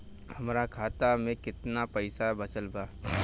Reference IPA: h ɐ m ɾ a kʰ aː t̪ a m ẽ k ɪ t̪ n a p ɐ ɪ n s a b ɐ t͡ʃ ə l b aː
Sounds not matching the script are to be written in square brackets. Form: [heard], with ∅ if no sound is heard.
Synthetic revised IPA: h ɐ m ɾ a kʰ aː t̪ a m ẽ k ɪ t̪ n a p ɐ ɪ [∅] s a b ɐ t͡ʃ ə l b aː